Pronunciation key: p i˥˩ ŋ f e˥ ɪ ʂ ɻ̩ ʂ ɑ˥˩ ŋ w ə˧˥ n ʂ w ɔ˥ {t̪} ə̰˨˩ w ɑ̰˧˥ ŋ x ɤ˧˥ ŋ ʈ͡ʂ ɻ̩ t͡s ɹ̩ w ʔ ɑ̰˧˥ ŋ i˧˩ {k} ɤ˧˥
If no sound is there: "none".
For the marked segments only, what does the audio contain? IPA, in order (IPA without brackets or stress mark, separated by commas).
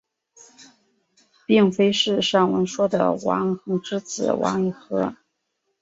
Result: d̪, x